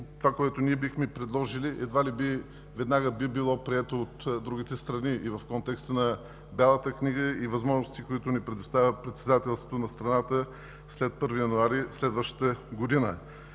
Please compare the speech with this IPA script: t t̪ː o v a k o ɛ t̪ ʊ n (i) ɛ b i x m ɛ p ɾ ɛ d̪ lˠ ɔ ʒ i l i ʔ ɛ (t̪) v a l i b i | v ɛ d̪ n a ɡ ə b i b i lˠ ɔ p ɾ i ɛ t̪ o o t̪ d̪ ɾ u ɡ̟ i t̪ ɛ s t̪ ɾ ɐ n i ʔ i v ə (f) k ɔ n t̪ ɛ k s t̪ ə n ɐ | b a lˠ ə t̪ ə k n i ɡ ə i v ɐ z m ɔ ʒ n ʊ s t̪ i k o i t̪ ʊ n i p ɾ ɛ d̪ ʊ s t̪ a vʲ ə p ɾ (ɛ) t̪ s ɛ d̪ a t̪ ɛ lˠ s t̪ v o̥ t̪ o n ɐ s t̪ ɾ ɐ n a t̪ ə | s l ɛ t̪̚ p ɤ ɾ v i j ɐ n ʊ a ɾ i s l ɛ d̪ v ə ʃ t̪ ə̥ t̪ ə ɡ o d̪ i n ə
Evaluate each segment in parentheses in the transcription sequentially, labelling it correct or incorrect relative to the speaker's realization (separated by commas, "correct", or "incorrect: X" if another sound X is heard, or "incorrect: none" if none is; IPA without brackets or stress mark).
correct, incorrect: d̪, correct, correct